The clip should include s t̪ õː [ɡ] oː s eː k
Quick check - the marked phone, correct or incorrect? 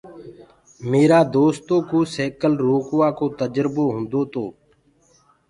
incorrect: k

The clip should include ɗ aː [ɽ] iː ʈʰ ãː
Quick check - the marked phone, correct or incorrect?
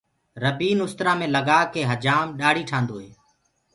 correct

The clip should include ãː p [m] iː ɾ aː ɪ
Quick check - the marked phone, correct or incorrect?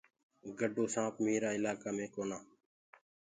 correct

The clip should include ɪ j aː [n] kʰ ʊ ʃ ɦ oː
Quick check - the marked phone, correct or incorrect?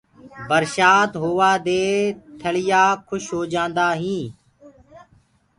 incorrect: none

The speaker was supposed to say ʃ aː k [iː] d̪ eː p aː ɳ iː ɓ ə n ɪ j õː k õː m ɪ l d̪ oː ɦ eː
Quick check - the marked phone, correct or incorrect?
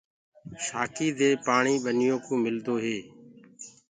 correct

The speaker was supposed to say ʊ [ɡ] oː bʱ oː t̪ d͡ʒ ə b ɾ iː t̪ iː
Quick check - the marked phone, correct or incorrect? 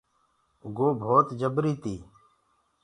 correct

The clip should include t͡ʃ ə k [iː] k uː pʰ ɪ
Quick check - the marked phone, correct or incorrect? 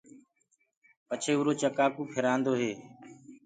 incorrect: aː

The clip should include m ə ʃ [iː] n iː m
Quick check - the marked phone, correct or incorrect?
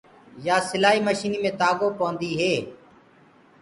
correct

